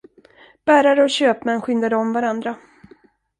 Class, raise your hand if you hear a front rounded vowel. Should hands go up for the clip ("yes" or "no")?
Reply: yes